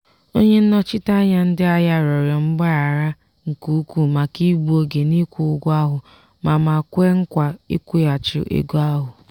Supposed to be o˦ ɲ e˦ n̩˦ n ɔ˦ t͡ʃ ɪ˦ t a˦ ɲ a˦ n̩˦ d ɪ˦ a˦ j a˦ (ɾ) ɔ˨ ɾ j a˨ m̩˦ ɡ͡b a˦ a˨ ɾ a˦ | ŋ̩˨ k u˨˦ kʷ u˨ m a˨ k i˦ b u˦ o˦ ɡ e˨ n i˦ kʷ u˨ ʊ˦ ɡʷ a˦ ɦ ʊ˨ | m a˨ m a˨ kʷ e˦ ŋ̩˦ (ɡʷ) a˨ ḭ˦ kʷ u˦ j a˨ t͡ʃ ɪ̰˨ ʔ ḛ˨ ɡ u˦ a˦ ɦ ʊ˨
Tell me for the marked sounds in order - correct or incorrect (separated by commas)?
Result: correct, incorrect